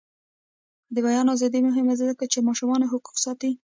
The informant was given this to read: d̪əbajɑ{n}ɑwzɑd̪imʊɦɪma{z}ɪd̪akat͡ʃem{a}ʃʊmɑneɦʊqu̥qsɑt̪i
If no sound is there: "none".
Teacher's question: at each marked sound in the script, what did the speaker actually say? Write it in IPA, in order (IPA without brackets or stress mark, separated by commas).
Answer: n, z, ɑ